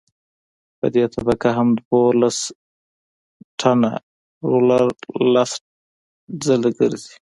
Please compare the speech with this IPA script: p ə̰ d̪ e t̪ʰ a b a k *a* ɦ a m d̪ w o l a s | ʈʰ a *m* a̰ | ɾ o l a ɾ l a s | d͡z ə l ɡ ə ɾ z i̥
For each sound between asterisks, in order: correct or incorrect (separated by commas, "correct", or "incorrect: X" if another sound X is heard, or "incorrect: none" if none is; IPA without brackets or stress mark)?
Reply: correct, incorrect: n